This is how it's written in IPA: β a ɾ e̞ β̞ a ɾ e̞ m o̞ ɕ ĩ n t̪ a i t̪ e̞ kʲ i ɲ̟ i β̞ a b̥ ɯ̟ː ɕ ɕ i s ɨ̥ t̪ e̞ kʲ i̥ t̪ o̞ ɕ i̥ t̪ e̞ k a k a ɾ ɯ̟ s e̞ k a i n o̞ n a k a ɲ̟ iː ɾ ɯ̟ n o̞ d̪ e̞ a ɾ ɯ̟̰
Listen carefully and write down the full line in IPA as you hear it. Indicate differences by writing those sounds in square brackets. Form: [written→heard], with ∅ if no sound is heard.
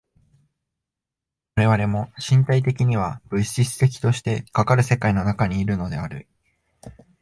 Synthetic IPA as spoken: β a ɾ e̞ β̞ a ɾ e̞ m o̞ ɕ ĩ n t̪ a i t̪ e̞ kʲ i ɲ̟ i β̞ a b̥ [ɯ̟ː→ɯ̟] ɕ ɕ i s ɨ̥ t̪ e̞ kʲ i̥ t̪ o̞ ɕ i̥ t̪ e̞ k a k a ɾ ɯ̟ s e̞ k a i n o̞ n a k a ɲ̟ iː ɾ ɯ̟ n o̞ d̪ e̞ a ɾ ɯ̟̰